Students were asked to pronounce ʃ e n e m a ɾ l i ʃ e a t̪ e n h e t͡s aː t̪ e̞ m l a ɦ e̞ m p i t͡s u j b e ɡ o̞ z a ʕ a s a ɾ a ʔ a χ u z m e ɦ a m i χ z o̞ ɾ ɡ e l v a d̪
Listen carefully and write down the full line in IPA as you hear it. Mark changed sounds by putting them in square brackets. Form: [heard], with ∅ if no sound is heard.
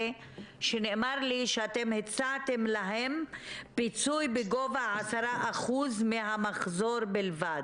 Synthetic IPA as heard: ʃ e n e m a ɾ l i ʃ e a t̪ e [m] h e t͡s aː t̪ e̞ m l a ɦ e̞ m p i t͡s u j b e ɡ o̞ [v] a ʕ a s a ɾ a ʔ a χ u z m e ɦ a m [a] χ z o̞ ɾ [b] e l v a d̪